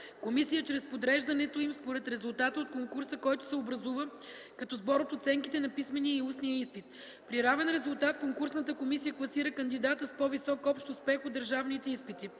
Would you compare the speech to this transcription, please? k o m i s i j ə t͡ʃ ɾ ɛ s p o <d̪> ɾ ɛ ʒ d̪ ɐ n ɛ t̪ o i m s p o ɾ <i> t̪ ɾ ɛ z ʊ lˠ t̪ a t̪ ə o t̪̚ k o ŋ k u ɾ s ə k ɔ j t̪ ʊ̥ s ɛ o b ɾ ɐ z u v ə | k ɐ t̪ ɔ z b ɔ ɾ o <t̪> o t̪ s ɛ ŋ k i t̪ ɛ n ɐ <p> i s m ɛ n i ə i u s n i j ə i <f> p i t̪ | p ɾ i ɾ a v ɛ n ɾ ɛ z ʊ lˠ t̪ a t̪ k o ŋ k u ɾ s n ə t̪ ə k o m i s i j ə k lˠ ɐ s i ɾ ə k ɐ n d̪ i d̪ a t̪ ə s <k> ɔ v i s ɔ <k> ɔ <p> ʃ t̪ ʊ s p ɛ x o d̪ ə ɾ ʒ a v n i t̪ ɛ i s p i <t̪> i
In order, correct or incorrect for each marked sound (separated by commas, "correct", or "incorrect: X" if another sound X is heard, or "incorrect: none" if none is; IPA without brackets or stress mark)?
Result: correct, incorrect: ɛ, correct, correct, incorrect: s, incorrect: p, correct, correct, correct